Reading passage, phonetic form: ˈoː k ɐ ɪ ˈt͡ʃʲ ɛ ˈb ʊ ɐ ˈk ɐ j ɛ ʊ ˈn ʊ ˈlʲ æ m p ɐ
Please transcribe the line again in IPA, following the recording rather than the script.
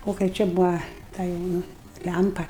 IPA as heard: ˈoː k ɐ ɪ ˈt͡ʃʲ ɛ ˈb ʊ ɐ ˈt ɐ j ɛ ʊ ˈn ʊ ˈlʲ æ m p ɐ